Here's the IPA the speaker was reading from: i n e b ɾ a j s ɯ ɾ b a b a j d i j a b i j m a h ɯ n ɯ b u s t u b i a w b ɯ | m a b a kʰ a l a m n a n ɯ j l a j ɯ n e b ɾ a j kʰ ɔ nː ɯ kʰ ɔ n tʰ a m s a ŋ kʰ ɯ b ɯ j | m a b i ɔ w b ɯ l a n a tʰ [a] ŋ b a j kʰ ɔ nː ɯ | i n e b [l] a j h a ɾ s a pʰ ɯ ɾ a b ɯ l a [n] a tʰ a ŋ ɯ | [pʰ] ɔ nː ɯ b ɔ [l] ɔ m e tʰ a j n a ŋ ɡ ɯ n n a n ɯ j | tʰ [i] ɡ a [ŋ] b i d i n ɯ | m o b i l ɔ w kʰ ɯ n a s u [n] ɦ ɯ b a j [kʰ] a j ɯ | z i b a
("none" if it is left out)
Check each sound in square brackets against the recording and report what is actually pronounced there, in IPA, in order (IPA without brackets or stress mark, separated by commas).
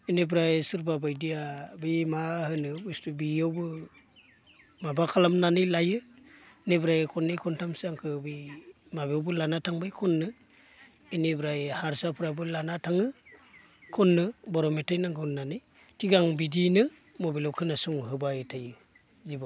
a, ɾ, n, kʰ, ɾ, i, ŋ, ŋ, tʰ